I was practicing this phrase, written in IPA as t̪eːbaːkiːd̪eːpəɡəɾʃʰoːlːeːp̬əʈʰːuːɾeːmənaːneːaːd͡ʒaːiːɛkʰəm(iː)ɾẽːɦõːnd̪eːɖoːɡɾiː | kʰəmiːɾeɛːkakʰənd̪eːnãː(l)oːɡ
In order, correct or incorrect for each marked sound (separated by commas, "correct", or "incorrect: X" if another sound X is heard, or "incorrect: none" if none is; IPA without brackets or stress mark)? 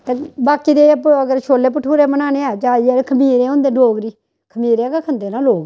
correct, correct